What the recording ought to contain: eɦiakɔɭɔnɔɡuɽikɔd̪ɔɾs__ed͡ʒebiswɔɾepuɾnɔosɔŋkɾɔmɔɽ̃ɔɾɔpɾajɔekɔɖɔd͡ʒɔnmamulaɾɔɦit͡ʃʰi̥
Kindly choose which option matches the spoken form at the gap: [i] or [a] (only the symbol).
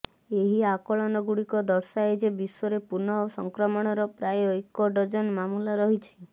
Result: a